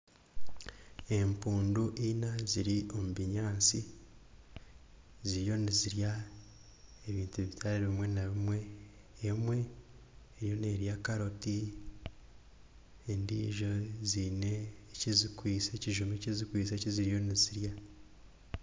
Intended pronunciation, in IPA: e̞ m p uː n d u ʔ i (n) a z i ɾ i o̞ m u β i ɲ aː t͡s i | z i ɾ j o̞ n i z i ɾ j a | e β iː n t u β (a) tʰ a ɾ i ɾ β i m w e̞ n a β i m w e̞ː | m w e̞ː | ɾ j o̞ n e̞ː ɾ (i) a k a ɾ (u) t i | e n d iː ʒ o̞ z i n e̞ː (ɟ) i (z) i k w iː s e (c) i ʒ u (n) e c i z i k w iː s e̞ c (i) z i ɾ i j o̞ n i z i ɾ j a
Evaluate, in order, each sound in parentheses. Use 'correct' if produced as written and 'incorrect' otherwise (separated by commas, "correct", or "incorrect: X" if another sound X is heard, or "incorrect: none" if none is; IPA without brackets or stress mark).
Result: correct, incorrect: i, incorrect: j, incorrect: o, incorrect: c, correct, correct, incorrect: m, correct